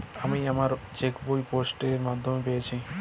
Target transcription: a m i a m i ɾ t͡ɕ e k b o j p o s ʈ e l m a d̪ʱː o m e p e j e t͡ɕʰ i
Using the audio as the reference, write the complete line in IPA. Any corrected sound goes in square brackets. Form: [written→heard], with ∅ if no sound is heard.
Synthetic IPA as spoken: a m i a m [i→a] ɾ t͡ɕ e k b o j p o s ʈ e [l→ɾ] m a d̪ʱː o m e p e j e t͡ɕʰ i